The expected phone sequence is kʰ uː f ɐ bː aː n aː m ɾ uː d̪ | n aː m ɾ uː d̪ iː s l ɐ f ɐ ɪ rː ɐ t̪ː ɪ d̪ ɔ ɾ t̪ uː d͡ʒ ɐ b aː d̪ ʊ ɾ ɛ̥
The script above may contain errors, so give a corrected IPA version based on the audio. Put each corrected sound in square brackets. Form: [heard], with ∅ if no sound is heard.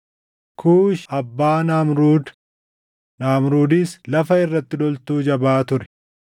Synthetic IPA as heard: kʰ uː [ʃ] ɐ bː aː n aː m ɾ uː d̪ | n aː m ɾ uː d̪ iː s l ɐ f ɐ ɪ rː ɐ t̪ː ɪ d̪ ɔ [l] t̪ uː d͡ʒ ɐ b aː [t̪] ʊ ɾ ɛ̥